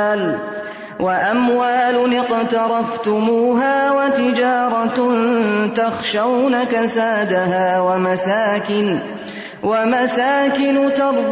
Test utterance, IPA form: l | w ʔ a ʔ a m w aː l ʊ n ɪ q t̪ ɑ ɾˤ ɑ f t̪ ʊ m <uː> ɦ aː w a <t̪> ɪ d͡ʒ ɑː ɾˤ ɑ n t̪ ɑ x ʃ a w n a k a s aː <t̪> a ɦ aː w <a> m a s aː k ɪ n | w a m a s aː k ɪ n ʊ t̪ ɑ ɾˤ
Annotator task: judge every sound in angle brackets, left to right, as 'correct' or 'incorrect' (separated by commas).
correct, correct, incorrect, correct